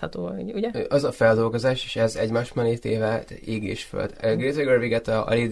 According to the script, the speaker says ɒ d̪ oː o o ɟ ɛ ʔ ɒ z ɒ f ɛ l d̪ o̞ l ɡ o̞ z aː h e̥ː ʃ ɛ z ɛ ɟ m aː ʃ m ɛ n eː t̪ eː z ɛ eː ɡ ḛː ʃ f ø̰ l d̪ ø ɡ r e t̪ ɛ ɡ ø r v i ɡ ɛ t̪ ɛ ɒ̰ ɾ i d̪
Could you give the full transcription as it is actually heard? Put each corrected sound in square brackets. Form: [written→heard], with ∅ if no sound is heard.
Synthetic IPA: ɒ [d̪→t̪] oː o [o→u] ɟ ɛ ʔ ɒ z ɒ f ɛ l d̪ o̞ l ɡ o̞ z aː [h→ʃ] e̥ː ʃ ɛ z ɛ ɟ m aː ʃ m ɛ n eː t̪ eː [z→v] ɛ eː ɡ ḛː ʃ f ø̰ l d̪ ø ɡ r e t̪ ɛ ɡ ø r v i ɡ ɛ t̪ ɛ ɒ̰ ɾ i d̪